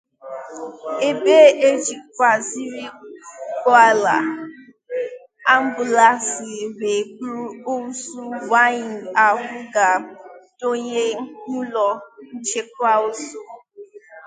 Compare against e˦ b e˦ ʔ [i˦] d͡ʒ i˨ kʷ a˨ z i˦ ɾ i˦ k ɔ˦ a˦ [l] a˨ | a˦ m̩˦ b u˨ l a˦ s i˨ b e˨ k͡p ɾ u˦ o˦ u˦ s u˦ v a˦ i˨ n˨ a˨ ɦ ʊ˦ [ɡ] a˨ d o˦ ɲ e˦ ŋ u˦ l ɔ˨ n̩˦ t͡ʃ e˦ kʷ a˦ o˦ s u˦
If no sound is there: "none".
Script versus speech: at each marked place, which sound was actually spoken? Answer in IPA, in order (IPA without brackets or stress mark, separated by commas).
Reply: e˦, l, ɡ